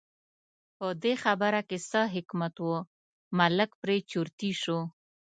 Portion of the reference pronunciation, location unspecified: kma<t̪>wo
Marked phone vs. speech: correct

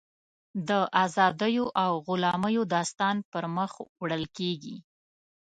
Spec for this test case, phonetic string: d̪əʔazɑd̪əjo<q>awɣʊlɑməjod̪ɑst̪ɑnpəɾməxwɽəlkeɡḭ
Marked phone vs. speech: incorrect: ʔ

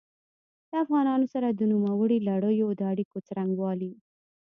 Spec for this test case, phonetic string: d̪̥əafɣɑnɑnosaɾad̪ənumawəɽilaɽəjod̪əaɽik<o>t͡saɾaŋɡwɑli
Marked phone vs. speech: correct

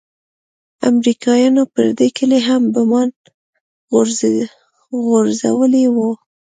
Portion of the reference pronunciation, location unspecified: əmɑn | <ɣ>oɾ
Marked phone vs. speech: correct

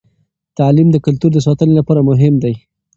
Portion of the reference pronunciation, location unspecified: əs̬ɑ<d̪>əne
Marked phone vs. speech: incorrect: t̪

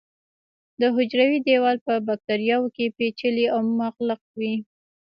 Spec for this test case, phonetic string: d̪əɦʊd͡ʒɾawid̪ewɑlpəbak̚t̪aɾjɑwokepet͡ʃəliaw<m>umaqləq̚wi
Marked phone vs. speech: correct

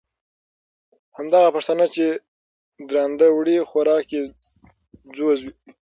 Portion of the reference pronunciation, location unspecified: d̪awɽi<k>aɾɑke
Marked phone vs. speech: incorrect: x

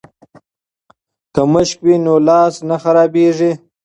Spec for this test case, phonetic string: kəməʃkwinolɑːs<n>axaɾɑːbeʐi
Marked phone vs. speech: correct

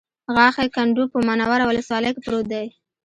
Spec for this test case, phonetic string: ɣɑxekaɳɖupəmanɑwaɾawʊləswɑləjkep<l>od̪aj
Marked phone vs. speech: incorrect: ɾ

